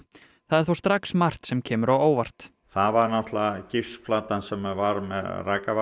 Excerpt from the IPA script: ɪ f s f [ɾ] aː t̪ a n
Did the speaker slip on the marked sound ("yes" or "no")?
yes